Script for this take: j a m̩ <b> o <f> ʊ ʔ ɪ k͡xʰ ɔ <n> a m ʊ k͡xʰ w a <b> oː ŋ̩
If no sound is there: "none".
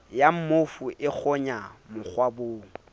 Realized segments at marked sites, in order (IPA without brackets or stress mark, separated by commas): m, f, ɲ, b